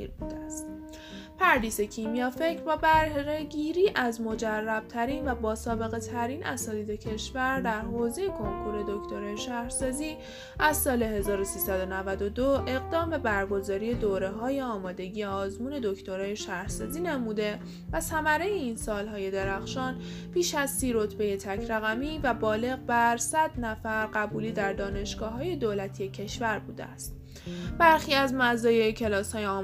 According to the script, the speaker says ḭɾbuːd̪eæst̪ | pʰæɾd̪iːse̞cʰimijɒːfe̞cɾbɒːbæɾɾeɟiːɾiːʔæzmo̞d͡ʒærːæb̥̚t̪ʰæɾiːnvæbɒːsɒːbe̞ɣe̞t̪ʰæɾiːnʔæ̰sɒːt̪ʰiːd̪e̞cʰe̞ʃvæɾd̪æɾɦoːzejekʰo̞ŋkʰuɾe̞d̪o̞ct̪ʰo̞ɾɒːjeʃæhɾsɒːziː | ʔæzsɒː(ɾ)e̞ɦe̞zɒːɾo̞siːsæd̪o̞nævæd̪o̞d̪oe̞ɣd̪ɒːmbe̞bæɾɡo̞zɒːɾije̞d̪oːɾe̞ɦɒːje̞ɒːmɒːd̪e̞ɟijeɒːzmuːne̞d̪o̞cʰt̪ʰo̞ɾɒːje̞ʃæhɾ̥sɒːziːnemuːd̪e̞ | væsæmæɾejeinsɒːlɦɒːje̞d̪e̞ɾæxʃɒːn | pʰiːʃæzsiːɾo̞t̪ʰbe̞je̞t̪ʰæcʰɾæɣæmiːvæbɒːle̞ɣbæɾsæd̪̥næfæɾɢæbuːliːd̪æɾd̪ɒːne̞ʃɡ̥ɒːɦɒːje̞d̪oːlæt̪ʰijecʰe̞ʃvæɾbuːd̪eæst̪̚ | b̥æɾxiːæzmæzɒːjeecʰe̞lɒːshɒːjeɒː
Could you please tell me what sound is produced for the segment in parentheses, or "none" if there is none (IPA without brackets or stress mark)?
l